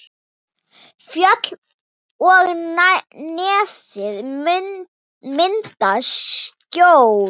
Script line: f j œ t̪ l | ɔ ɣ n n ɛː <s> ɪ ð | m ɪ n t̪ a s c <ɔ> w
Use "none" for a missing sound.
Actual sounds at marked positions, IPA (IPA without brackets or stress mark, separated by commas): s, o